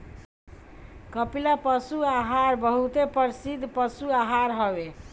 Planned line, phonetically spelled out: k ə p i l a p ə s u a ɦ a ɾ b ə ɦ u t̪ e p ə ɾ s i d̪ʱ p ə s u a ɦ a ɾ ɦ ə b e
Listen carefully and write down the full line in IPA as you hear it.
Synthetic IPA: k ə p i l a p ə s u a ɦ a ɾ b ə ɦ u t̪ e p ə ɾ s i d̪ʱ p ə s u a ɦ a ɾ ɦ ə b e